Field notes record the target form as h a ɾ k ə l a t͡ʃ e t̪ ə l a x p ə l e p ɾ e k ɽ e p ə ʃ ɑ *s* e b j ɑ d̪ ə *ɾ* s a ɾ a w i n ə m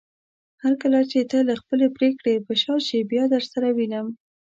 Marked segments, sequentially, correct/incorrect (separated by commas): incorrect, correct